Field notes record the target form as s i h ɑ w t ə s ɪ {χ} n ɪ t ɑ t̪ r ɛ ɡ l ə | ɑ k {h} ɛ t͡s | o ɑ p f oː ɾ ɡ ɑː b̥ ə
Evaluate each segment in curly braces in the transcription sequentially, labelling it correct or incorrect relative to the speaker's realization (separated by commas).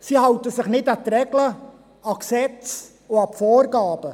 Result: correct, incorrect